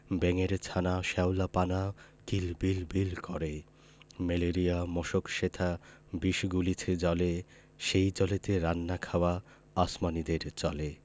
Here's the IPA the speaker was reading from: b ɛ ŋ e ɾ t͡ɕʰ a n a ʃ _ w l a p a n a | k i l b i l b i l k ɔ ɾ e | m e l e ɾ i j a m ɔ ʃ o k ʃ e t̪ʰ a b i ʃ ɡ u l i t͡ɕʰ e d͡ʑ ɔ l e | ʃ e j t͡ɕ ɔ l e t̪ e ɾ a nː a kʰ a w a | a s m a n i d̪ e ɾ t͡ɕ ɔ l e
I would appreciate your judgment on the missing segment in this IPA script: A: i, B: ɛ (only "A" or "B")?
B